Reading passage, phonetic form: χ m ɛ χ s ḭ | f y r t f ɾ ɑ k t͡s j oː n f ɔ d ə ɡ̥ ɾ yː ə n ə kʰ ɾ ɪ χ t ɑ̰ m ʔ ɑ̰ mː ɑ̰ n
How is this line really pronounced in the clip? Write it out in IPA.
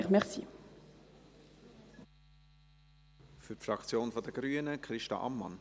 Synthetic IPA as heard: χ m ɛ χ s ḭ | f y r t f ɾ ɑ k t͡s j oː n f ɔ d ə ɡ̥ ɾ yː ə n ə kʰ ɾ ɪ ʃ t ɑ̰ ʔ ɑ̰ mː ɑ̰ n